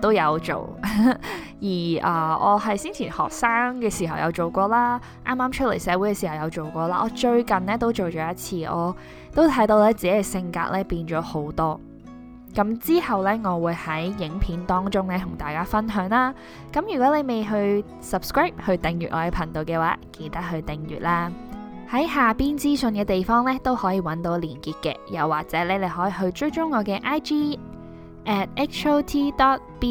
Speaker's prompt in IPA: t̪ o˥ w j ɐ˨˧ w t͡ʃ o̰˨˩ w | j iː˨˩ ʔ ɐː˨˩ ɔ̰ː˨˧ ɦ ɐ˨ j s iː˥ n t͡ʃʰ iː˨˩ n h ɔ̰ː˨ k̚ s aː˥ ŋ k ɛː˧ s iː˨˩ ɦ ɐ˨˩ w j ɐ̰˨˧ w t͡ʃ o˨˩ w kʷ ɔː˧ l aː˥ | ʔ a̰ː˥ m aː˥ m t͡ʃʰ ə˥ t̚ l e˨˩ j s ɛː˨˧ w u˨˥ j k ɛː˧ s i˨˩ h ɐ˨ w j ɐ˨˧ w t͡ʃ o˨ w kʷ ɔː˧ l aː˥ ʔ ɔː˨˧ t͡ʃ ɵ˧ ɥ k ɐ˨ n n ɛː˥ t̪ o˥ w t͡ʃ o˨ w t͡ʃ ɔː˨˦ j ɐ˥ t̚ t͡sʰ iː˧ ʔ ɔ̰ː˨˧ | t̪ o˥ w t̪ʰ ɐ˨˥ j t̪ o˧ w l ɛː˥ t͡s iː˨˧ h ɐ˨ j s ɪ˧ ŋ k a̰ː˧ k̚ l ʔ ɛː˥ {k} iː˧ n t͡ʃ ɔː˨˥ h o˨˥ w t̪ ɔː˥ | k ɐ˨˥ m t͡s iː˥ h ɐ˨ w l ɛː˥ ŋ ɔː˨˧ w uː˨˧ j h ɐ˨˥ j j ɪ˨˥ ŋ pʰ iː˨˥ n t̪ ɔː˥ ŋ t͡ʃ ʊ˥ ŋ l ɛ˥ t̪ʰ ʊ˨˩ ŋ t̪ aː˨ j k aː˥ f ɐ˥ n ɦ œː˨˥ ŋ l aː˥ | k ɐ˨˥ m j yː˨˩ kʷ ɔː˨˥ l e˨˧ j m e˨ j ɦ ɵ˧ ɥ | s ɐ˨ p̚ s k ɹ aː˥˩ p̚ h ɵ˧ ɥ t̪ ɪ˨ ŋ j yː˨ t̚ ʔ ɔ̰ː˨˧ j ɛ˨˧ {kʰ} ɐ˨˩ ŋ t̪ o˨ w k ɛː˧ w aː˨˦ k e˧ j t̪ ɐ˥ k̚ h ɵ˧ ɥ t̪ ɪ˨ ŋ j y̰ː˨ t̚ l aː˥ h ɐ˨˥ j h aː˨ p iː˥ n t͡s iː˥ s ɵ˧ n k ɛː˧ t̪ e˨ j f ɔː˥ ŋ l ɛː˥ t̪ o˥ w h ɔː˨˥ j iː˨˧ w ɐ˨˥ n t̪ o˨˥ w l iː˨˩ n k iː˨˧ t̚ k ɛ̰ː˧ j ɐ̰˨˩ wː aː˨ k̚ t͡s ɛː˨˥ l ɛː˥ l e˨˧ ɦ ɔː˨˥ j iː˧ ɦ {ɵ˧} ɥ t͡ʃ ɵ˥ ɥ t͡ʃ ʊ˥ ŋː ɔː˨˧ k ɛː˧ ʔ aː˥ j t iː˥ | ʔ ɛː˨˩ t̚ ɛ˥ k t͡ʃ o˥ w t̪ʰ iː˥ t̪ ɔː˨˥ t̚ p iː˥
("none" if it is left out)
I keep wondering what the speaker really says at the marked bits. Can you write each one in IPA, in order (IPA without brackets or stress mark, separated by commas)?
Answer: p, pʰ, ɵ˧